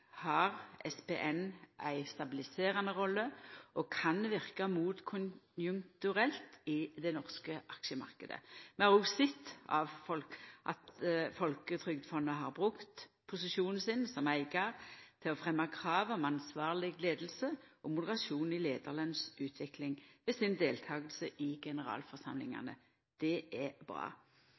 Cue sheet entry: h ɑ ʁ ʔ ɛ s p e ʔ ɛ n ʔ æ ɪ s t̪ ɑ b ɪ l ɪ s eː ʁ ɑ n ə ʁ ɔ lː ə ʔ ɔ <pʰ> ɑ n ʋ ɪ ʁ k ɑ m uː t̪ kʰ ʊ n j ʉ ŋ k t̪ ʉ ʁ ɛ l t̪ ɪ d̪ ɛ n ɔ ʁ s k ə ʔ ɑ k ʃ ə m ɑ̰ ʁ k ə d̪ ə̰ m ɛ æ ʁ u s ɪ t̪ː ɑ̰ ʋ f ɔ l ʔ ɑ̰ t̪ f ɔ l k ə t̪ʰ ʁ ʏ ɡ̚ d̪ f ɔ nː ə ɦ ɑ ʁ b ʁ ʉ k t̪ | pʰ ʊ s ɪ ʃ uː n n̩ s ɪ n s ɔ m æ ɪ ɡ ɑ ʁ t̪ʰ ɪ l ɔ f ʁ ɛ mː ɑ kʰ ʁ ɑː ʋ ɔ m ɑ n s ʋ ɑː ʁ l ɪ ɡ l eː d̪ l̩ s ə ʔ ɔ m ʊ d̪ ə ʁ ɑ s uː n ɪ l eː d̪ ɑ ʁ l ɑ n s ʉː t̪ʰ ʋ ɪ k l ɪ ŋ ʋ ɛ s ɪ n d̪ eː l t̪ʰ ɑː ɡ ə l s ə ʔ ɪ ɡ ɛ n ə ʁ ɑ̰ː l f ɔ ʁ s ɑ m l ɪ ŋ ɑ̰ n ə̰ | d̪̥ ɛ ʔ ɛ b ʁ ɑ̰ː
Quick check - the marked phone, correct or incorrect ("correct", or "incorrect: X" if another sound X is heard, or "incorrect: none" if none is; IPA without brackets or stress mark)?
incorrect: kʰ